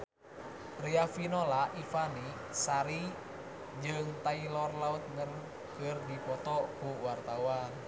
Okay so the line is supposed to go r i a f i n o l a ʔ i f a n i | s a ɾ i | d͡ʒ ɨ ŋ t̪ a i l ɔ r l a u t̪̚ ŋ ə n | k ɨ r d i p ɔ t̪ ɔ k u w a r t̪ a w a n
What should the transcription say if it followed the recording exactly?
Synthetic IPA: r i a f i n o l a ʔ i f a n i | s a ɾ i | d͡ʒ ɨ ŋ t̪ a i l ɔ r l a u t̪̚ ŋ ə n | k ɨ r d i p ɔ t̪ ɔ k u w a r t̪ a w a n